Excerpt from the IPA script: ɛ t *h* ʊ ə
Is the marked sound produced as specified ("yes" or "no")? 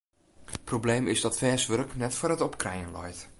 no